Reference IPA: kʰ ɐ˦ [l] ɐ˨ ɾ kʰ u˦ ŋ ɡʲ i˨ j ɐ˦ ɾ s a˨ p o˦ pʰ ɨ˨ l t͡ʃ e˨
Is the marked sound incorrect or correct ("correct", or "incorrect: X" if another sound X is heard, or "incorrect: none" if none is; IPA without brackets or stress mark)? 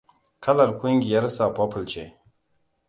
correct